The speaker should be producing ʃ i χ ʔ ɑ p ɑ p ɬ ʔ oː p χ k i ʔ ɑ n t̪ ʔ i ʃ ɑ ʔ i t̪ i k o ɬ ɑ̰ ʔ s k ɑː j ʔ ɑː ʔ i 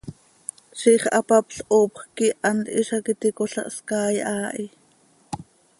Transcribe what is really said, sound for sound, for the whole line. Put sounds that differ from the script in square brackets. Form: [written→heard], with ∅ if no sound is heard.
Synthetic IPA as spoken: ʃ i χ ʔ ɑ p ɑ p ɬ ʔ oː p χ k i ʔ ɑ n t̪ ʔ i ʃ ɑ [ʔ→k] i t̪ i k o ɬ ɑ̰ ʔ s k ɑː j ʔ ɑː ʔ i